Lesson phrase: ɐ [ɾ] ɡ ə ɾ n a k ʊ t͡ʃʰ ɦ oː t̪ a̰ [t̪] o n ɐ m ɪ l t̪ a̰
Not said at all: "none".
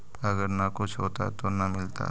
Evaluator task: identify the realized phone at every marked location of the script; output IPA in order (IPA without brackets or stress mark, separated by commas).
none, t̪